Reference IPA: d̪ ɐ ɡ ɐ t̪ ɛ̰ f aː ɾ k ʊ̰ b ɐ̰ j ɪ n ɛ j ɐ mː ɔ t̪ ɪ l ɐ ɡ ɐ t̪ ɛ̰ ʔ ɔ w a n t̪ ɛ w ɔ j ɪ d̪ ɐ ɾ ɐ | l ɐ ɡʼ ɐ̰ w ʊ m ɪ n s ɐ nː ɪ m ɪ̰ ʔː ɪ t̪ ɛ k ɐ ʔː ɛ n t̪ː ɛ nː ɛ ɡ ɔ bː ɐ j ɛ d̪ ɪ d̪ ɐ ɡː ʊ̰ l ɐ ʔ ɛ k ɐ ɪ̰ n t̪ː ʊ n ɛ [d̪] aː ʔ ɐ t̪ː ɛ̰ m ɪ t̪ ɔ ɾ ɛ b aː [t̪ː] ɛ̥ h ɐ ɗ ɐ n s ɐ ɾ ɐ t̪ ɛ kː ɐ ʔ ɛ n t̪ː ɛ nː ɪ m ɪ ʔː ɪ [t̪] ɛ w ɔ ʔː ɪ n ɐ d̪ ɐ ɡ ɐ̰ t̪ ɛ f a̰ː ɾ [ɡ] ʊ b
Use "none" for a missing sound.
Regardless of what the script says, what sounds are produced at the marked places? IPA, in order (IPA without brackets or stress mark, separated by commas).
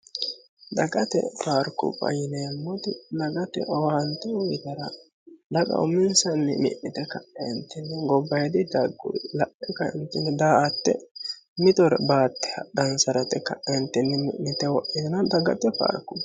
d̪, t̪ː, t̪, k